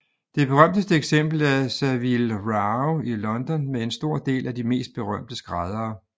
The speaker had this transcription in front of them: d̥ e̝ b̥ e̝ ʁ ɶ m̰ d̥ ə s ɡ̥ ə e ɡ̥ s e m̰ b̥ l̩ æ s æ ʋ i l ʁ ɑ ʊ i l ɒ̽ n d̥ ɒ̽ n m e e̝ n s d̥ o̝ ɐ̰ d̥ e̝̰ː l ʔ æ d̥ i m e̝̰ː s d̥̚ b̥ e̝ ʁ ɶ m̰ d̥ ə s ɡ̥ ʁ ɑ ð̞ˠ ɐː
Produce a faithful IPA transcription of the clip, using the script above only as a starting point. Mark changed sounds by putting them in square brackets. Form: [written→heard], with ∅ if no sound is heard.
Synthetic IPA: d̥ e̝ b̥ e̝ ʁ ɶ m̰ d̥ ə s [ɡ̥→d̥] ə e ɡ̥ s e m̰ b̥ l̩ æ s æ ʋ i l ʁ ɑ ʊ i l ɒ̽ n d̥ ɒ̽ n m e e̝ n s d̥ o̝ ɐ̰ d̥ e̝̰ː l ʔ æ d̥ i m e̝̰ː s d̥̚ b̥ e̝ ʁ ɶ m̰ d̥ ə s ɡ̥ ʁ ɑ ð̞ˠ ɐː